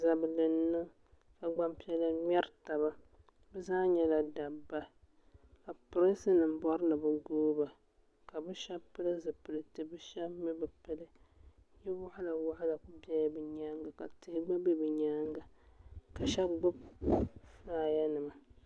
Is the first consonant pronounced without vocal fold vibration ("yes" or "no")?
no